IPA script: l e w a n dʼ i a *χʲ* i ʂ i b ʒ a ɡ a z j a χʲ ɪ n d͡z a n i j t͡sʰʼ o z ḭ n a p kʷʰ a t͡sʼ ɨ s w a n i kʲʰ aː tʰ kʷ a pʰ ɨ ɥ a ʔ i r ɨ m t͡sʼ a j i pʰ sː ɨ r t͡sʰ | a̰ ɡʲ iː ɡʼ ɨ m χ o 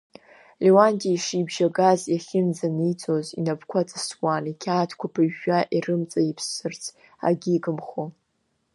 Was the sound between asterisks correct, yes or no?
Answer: no